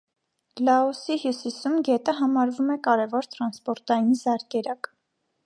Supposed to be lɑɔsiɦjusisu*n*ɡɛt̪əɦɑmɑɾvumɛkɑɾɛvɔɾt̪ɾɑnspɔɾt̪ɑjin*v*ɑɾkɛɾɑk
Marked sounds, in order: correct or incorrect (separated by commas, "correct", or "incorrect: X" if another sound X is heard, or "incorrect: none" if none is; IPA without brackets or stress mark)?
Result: incorrect: m, incorrect: z